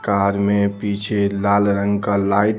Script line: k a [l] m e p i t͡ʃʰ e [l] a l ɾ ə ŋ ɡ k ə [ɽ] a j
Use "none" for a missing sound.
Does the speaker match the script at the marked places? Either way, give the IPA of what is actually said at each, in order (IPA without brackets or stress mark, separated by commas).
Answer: ɾ, l, l